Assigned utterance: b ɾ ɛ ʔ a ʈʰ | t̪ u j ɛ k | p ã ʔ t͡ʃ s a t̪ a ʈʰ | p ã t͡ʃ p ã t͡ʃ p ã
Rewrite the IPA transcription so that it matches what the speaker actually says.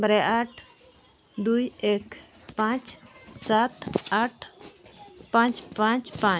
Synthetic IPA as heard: b ɾ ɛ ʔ a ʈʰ | d̪ u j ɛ k | p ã t͡ʃ s a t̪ a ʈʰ | p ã t͡ʃ p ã t͡ʃ p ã